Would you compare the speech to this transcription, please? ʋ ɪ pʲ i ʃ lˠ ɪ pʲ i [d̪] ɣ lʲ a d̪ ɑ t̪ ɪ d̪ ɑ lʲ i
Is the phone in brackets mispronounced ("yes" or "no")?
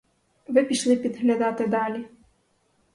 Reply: no